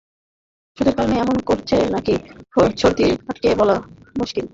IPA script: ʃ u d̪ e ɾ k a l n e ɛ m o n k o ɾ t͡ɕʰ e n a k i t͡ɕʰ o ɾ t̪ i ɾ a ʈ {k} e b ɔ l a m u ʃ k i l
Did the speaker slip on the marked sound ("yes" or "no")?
no